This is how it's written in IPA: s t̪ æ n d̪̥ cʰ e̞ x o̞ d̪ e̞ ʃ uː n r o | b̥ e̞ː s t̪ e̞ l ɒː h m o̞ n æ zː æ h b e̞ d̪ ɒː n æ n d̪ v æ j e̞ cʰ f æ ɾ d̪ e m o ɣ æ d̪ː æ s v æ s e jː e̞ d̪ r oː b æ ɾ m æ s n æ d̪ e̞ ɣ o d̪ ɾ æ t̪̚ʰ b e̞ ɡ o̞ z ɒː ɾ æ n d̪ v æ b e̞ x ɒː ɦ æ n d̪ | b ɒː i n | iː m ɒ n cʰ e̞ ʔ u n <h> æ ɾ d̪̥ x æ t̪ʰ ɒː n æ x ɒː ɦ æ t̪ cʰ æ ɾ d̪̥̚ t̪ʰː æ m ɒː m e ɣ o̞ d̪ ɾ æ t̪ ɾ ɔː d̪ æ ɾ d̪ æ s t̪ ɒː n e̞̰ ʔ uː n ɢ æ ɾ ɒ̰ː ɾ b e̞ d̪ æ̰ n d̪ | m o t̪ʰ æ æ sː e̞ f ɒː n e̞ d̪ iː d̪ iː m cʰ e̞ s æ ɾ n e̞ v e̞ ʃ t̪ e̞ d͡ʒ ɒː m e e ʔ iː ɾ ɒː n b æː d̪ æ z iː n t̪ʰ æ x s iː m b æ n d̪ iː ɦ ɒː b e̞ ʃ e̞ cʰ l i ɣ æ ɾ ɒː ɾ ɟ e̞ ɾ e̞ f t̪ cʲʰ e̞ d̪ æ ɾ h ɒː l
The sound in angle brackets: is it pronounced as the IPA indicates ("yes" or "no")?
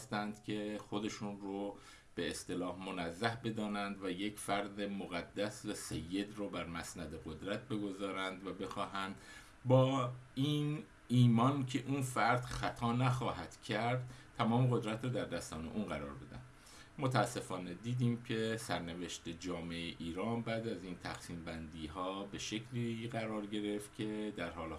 no